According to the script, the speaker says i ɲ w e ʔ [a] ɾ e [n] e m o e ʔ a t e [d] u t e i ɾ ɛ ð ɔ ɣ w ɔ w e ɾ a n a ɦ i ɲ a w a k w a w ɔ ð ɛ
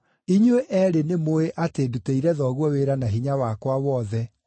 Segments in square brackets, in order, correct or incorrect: incorrect, correct, correct

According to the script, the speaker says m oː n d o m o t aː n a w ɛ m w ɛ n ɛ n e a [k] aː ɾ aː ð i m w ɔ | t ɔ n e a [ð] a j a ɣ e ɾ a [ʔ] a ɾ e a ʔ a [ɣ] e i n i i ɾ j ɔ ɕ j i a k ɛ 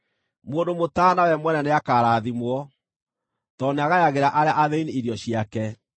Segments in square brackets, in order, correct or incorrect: correct, incorrect, correct, incorrect

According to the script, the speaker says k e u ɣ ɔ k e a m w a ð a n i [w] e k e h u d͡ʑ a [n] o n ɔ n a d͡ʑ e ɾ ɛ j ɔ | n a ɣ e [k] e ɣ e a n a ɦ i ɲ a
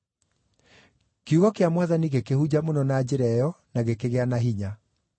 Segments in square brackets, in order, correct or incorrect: incorrect, incorrect, correct

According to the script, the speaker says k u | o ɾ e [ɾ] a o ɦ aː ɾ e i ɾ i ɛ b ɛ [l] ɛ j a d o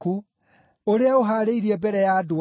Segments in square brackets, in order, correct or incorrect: incorrect, incorrect

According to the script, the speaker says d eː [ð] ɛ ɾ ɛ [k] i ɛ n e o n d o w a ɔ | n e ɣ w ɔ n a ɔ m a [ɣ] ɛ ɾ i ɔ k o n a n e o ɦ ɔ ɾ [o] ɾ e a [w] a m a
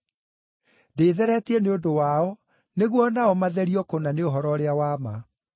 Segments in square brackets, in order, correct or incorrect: correct, incorrect, incorrect, incorrect, correct

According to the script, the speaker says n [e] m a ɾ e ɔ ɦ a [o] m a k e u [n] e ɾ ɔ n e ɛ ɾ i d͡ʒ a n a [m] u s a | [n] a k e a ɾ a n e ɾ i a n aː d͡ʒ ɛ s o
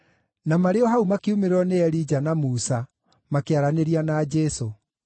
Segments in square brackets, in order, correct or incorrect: incorrect, incorrect, incorrect, correct, incorrect

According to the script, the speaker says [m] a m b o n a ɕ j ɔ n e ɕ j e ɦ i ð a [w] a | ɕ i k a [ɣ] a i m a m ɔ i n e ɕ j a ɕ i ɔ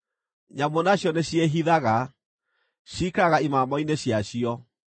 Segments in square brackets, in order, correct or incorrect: incorrect, incorrect, correct

